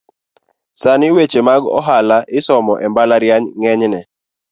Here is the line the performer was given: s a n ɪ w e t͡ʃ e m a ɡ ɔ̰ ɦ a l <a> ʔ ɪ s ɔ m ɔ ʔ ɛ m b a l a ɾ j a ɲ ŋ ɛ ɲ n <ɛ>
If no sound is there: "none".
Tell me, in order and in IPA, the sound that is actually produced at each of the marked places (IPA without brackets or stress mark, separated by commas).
a, ɛ